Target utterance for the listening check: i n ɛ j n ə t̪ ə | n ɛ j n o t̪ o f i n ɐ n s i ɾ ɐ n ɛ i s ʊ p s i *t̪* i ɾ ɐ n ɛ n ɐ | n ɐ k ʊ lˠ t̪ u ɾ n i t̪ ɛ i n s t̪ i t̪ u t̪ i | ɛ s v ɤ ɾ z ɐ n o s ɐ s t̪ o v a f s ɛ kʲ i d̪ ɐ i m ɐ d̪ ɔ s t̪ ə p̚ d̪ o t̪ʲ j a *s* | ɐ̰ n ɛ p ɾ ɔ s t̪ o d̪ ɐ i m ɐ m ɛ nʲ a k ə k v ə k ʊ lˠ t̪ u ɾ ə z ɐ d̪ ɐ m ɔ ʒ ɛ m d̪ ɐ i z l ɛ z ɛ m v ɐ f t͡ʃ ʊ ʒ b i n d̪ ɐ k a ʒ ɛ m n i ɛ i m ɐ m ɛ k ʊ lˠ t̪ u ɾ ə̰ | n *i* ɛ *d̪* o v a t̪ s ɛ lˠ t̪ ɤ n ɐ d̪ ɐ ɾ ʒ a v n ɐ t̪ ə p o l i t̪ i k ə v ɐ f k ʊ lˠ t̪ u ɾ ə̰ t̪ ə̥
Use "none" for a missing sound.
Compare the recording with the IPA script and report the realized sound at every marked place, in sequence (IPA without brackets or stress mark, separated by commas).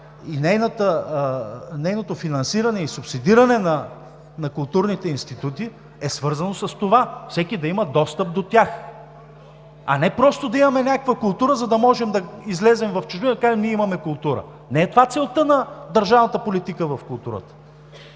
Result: d̪, x, ɛ, t̪